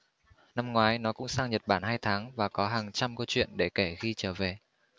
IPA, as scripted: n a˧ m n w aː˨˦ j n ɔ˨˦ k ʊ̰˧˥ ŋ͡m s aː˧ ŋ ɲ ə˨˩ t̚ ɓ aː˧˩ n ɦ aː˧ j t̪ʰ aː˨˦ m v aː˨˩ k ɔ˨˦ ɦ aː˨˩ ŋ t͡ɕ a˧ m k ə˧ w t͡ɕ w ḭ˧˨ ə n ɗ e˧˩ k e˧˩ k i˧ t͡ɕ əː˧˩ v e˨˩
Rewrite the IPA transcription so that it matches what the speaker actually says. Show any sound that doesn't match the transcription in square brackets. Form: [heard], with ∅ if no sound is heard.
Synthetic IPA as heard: n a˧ m [ŋ] w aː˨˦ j n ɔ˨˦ k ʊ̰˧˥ ŋ͡m s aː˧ ŋ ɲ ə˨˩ t̚ ɓ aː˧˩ n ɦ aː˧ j t̪ʰ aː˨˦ [ŋ] v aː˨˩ k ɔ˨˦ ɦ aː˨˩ ŋ t͡ɕ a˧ m k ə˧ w t͡ɕ w ḭ˧˨ ə n ɗ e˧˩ k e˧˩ [x] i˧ t͡ɕ əː˧˩ v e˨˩